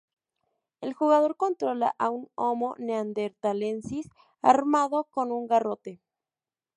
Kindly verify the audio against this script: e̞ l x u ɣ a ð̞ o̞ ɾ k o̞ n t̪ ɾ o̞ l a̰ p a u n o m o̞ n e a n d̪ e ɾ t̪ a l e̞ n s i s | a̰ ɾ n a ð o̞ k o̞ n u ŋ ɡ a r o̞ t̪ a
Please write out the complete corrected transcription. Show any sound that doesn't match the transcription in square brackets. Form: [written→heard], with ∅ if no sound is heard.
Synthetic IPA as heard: e̞ l x u ɣ a ð̞ o̞ ɾ k o̞ n t̪ ɾ o̞ l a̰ [p→ʔ] a u n o m o̞ n e a n d̪ e ɾ t̪ a l e̞ n s i s | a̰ ɾ [n→m] a ð o̞ k o̞ n u ŋ ɡ a r o̞ t̪ [a→e]